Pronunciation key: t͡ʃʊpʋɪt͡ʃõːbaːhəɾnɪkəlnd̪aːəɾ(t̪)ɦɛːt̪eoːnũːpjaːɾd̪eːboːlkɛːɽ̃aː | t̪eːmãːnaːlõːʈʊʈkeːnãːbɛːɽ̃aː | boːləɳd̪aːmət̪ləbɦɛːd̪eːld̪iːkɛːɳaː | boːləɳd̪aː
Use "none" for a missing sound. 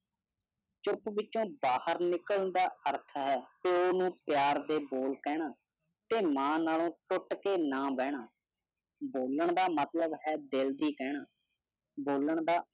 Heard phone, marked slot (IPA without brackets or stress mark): t̪ʰ